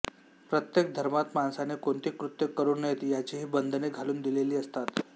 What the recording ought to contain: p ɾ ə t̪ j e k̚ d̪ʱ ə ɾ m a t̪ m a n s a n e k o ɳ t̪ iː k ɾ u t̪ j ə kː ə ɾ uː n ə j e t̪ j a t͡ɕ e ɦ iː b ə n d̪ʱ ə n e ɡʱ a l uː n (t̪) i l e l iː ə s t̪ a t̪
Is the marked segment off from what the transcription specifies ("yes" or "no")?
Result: yes